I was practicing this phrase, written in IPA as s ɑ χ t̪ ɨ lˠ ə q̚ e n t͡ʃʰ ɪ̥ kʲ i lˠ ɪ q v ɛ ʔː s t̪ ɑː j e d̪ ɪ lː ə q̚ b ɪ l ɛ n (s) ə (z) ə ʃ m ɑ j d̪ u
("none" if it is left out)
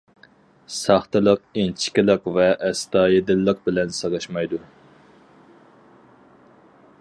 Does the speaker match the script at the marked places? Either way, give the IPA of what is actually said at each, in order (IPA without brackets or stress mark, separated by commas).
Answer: s, ʁ